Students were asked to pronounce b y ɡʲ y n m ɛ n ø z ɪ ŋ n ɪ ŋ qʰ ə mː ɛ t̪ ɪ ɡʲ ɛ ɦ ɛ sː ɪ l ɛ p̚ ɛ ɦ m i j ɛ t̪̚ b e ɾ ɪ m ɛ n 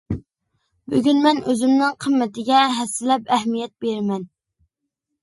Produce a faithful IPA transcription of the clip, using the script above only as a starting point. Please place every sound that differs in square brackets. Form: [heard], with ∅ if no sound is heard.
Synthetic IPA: b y ɡʲ y n m ɛ n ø z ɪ [m] n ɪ ŋ qʰ ə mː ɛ t̪ ɪ ɡʲ ɛ ɦ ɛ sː ɪ l ɛ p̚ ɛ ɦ m i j ɛ t̪̚ b e ɾ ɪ m ɛ n